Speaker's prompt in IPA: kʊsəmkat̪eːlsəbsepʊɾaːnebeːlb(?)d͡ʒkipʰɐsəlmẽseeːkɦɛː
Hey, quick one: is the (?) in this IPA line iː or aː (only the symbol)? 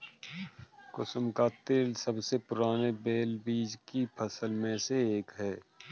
iː